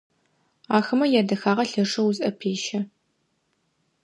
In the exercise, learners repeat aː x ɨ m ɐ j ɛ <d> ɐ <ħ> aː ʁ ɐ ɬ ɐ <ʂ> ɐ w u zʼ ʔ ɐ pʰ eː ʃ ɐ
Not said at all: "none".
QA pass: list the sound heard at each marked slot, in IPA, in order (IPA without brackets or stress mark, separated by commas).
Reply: d, x, ʂ